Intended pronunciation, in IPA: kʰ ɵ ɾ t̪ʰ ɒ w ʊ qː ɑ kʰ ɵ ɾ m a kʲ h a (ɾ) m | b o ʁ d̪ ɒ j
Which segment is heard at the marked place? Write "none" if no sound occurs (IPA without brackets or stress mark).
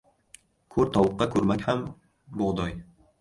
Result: none